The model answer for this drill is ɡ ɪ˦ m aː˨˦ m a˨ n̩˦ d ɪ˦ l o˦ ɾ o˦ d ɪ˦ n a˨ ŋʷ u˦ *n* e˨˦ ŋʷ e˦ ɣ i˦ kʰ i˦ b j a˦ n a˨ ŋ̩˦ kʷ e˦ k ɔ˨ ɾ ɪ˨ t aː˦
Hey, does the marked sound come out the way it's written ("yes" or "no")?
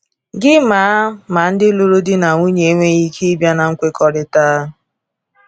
no